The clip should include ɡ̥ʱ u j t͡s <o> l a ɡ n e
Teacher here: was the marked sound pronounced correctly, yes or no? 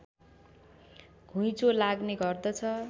yes